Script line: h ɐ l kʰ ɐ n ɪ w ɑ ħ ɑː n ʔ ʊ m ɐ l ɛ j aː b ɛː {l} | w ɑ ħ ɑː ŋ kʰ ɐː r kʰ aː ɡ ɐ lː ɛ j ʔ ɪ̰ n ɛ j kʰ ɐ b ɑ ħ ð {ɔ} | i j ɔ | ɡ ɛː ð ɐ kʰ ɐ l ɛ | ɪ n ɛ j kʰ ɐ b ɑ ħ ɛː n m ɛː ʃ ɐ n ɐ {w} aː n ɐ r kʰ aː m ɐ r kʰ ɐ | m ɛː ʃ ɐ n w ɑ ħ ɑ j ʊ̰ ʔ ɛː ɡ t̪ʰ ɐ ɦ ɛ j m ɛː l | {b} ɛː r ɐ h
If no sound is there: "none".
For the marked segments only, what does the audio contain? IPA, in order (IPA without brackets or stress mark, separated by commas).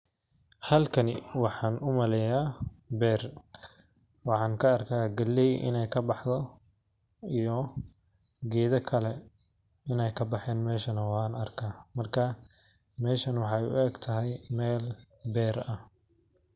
r, ɔ, w, b